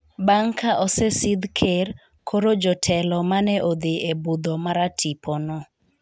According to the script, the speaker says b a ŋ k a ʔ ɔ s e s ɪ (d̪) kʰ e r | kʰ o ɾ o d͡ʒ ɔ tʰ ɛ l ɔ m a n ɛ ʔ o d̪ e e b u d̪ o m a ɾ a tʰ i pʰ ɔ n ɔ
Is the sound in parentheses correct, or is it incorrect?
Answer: correct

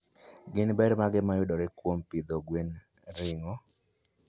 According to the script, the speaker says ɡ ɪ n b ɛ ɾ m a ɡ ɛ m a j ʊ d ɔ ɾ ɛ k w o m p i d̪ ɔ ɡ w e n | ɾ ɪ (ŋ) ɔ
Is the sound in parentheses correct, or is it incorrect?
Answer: correct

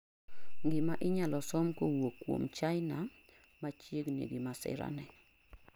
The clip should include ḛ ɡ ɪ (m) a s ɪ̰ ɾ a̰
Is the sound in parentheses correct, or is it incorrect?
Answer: correct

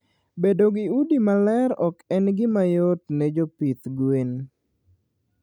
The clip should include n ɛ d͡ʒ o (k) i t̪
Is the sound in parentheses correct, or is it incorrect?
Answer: incorrect: p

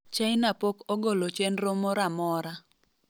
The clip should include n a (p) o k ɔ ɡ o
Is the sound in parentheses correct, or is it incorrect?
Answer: correct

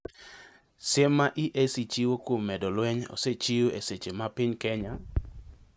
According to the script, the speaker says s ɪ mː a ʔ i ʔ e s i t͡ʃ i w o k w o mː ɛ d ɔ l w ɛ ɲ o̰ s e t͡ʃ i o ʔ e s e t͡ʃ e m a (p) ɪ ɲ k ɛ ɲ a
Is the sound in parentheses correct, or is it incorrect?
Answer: correct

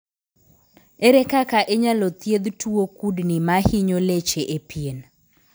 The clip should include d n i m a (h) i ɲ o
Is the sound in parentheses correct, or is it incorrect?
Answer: correct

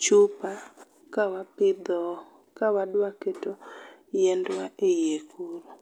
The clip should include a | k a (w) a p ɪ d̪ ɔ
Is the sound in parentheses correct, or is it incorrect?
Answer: correct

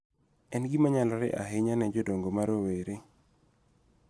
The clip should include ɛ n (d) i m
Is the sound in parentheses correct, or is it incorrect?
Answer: incorrect: ɡ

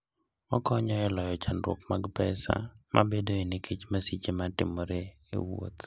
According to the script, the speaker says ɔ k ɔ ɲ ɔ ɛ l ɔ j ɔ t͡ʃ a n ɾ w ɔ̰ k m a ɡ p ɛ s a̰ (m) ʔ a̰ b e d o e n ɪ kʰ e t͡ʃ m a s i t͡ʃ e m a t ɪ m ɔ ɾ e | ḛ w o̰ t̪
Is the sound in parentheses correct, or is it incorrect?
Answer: correct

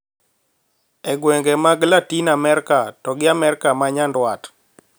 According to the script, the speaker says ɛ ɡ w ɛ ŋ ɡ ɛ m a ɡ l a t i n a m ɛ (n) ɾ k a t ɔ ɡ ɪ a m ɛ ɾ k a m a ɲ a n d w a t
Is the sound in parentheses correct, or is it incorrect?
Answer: incorrect: none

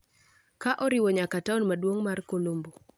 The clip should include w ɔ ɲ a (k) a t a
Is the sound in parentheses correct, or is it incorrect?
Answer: correct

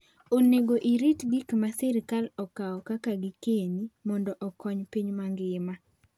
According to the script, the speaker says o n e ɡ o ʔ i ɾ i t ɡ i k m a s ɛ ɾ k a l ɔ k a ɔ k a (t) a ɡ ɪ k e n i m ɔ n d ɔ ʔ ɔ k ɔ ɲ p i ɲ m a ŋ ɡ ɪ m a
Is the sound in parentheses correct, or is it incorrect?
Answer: incorrect: k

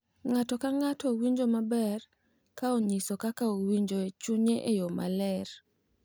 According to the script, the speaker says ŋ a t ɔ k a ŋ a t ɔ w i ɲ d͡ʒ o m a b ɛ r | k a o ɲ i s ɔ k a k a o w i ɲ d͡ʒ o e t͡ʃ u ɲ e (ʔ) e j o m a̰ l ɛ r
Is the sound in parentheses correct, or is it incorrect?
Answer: correct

